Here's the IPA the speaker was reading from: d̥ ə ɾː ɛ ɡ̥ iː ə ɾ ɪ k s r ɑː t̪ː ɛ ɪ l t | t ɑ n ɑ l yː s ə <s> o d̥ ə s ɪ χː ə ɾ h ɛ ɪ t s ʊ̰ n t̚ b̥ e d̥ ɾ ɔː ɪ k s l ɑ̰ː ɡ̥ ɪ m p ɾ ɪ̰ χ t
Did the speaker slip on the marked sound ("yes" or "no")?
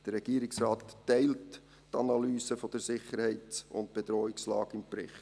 yes